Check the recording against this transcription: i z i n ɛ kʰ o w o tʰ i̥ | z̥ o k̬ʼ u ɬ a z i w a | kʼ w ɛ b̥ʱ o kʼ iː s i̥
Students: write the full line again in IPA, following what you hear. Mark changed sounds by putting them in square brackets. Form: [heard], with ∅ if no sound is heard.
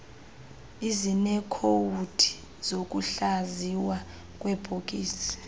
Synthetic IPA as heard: i z i n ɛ kʰ o w [u] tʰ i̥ | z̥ o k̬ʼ u ɬ a z i w a | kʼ w ɛ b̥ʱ o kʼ iː s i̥